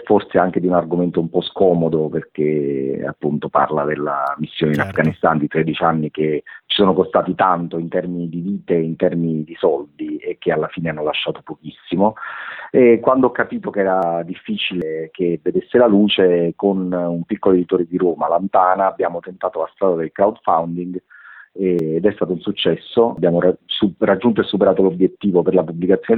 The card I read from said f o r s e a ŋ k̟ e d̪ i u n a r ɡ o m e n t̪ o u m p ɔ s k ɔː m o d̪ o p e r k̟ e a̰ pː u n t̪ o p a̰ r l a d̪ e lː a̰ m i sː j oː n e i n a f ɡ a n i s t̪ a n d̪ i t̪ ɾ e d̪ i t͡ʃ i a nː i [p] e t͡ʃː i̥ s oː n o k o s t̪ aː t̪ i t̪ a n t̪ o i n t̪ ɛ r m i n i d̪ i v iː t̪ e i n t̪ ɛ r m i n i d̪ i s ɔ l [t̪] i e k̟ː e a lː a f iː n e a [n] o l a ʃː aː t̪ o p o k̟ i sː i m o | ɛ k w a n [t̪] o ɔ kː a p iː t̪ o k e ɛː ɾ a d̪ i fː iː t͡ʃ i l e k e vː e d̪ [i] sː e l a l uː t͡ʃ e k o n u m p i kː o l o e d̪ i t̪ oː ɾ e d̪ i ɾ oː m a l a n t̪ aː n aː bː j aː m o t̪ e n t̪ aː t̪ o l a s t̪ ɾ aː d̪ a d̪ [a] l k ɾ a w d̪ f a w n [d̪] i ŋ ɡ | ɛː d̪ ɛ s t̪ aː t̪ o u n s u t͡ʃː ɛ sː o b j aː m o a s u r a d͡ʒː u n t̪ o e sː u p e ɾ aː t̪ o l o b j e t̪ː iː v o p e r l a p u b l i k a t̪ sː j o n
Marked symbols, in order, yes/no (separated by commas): no, no, no, no, no, no, yes